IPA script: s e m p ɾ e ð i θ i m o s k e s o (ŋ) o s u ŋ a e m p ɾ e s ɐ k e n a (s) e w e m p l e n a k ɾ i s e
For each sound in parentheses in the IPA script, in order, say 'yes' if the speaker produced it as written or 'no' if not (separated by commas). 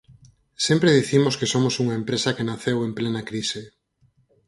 no, no